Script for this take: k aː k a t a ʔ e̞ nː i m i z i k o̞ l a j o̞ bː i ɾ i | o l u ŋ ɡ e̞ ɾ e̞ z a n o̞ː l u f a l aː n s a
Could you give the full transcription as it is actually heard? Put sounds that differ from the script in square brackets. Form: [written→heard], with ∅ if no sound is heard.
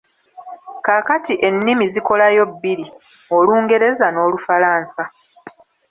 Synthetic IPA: k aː k a t [a→i] ʔ e̞ nː i m i z i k o̞ l a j o̞ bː i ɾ i | o l [u→uː] ŋ ɡ e̞ ɾ e̞ z a n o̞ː l u f a l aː n s a